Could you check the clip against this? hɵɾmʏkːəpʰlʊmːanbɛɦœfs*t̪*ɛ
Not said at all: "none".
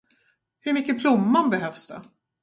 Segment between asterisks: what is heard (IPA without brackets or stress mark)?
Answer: d̪